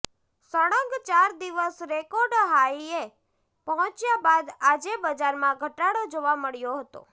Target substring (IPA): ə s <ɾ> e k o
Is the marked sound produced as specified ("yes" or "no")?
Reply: yes